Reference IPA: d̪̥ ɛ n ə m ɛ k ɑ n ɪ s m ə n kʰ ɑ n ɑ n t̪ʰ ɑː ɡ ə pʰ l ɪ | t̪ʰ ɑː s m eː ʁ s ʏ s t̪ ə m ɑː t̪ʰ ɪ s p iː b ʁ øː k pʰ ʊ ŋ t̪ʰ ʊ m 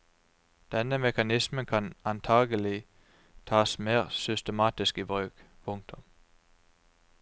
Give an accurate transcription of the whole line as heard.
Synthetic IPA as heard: d̪̥ ɛ n ə m ɛ k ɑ n ɪ s m ə n kʰ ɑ n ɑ n t̪ʰ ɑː ɡ ə l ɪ | t̪ʰ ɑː s m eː ʁ s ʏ s t̪ ə m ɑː t̪ ɪ s k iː b ʁ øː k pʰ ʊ ŋ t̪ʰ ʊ m